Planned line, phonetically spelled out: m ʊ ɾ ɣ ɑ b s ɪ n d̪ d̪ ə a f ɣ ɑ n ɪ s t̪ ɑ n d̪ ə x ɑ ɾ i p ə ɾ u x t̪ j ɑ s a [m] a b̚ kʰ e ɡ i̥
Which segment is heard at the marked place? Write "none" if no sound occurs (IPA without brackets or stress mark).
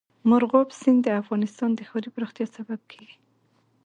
b